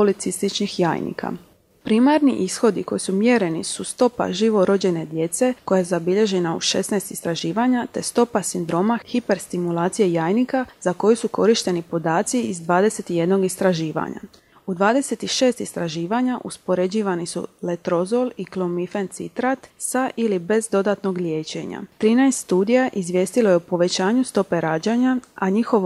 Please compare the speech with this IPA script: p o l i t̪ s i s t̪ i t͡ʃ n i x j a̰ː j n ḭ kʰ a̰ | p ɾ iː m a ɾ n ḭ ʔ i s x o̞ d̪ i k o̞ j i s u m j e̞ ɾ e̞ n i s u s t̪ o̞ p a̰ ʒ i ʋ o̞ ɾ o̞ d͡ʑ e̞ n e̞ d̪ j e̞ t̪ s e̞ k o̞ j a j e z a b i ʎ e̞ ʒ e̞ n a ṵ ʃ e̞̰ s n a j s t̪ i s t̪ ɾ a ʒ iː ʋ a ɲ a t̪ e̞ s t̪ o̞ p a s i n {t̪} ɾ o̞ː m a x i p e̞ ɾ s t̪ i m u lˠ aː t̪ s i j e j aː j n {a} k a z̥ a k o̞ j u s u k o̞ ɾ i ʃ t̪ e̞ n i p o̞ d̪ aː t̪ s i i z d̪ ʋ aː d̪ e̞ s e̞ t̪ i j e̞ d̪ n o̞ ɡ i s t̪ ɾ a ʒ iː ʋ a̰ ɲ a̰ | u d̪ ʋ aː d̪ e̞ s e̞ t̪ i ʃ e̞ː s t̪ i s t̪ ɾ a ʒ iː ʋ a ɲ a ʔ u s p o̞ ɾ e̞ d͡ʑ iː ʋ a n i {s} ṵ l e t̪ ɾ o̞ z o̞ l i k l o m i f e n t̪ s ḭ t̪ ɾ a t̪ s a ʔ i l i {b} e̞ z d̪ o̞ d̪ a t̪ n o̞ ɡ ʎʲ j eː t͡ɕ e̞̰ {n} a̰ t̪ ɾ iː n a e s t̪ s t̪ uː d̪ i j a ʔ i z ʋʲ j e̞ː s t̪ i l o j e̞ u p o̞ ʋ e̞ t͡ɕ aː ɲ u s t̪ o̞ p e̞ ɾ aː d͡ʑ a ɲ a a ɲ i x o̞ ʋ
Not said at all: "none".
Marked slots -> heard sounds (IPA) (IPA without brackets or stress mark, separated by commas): d̪, i, s, b, ɲ